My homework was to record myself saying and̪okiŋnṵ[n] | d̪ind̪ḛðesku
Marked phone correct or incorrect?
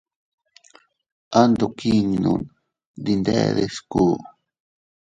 correct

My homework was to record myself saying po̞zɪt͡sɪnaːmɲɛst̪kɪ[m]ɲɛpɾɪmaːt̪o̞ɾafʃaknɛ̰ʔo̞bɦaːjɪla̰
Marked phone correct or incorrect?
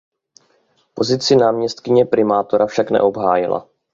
incorrect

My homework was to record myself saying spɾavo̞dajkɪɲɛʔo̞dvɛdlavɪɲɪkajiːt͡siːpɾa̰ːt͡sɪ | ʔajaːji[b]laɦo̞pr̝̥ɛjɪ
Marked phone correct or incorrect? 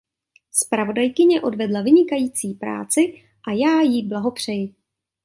correct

